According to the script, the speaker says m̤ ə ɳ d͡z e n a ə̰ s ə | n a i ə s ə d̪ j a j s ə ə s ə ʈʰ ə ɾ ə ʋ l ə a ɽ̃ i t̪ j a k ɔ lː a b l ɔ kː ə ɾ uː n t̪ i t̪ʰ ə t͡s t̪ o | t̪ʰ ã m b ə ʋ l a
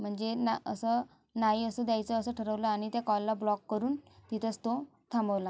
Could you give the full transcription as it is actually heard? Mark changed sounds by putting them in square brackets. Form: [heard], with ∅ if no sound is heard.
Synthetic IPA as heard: m̤ ə ɳ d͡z e n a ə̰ s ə | n a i ə s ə d̪ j a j [t͡s] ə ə s ə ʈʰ ə ɾ ə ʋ l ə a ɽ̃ i t̪ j a k ɔ lː a b l ɔ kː ə ɾ uː n t̪ i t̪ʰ ə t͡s t̪ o | t̪ʰ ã m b ə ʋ l a